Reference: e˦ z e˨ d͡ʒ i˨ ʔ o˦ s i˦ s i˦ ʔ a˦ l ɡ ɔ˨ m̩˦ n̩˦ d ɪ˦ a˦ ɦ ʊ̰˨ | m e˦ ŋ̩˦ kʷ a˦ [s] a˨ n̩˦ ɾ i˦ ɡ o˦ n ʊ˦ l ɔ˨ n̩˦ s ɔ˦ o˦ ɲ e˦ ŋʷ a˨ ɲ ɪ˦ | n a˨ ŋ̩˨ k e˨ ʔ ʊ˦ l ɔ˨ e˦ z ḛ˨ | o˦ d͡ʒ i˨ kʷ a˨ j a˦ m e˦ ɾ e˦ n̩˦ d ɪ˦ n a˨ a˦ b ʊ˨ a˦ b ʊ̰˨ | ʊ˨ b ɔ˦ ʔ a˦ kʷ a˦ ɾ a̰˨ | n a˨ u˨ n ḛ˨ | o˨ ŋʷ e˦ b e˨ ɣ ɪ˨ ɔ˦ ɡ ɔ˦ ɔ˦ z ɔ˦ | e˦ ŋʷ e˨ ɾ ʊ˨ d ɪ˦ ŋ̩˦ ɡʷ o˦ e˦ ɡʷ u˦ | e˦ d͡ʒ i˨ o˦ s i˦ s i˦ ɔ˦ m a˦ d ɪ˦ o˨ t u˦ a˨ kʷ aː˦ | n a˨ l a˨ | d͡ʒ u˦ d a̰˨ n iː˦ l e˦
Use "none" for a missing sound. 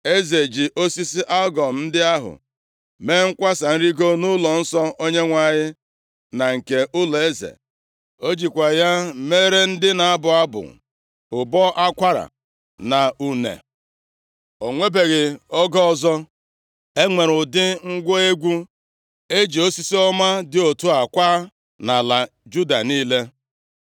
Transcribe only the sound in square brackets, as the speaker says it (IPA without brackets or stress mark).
s